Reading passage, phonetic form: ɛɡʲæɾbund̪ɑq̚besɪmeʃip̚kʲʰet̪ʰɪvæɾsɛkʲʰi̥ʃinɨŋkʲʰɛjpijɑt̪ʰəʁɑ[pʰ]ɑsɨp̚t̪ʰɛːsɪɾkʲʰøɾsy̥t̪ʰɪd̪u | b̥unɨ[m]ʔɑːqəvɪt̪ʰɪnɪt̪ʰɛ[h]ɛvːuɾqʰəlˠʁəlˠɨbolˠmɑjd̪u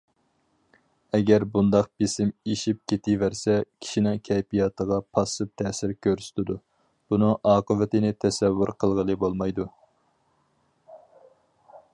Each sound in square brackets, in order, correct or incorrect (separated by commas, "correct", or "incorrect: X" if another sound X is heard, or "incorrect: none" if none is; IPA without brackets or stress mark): correct, incorrect: ŋ, incorrect: s